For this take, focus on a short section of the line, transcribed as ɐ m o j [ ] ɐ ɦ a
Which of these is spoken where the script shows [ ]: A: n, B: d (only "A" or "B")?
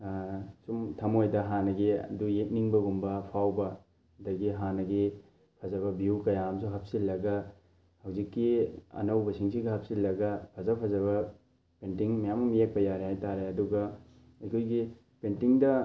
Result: B